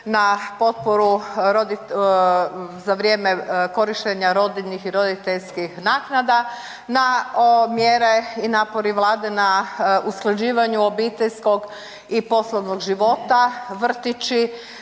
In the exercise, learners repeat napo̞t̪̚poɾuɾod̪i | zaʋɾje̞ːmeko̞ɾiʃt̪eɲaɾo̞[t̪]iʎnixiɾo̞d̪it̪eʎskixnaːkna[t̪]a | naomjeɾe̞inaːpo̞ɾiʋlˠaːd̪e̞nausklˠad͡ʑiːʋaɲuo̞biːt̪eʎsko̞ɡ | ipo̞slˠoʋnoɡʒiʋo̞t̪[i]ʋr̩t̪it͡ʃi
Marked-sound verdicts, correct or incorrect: incorrect: d̪, incorrect: d̪, incorrect: a

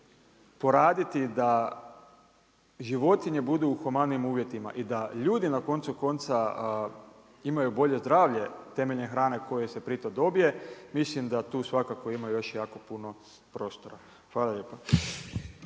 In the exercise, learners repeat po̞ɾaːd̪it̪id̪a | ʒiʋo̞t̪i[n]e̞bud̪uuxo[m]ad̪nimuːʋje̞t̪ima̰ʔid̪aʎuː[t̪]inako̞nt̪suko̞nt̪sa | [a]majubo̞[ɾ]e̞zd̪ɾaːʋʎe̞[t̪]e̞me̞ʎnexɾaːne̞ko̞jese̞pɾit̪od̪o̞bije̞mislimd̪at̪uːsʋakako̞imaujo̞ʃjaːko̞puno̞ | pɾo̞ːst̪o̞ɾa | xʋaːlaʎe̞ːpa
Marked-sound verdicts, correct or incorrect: incorrect: ɲ, correct, incorrect: d̪, incorrect: i, incorrect: ʎ, correct

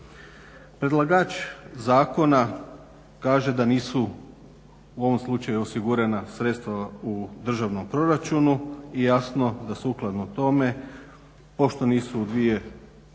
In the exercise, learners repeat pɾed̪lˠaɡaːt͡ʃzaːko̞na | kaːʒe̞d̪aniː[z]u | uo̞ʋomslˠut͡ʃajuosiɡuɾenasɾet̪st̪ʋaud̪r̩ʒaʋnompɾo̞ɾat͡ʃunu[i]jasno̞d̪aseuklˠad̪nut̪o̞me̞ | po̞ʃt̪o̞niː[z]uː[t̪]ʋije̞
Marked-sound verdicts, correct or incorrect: incorrect: s, correct, incorrect: s, incorrect: d̪

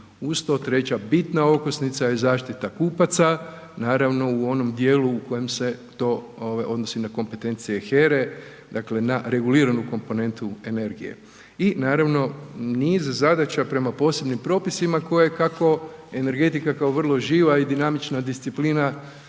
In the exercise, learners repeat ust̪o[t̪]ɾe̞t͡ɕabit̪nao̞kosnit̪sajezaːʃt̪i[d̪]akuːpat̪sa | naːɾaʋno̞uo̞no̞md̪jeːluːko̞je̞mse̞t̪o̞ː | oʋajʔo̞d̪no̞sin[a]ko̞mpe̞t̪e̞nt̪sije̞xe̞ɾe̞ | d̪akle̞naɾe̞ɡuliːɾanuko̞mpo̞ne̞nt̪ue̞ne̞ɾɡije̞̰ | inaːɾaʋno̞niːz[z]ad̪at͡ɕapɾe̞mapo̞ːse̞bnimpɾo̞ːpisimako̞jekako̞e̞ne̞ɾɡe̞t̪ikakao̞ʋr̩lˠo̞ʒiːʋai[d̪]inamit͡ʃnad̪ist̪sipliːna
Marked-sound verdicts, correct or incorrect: correct, incorrect: t̪, correct, correct, correct

